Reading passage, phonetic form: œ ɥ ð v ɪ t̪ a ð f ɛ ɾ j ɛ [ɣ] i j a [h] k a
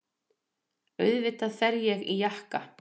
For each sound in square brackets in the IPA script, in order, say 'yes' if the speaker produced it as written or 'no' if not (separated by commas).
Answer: yes, yes